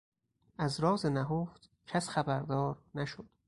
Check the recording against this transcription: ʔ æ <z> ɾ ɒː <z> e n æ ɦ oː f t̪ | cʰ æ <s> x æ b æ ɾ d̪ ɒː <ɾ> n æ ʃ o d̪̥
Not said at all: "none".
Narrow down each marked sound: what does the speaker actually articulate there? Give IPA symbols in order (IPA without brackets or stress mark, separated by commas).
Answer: z, z, s, ɾ